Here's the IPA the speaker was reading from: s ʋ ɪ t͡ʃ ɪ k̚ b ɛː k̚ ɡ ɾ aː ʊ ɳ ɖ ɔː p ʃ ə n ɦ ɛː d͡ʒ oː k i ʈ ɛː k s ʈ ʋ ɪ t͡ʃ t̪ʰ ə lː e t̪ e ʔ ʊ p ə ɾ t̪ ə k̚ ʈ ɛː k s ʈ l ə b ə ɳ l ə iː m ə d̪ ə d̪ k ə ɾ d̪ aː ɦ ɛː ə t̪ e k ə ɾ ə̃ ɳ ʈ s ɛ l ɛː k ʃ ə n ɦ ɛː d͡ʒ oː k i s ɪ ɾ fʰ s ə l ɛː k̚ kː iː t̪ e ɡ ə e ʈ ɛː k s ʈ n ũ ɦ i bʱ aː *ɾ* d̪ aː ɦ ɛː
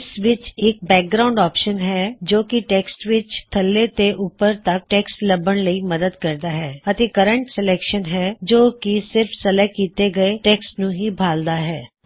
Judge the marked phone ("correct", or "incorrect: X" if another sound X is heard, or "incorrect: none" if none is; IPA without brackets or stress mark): incorrect: l